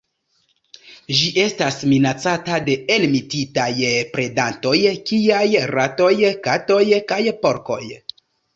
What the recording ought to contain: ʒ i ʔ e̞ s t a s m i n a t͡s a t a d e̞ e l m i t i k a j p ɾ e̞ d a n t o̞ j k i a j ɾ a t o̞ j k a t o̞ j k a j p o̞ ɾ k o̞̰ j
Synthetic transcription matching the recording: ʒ i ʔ e̞ s t a s m i n a t͡s a t a d e̞ e l m i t i t a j p ɾ e̞ d a n t o̞ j k i a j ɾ a t o̞ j k a t o̞ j k a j p o̞ ɾ k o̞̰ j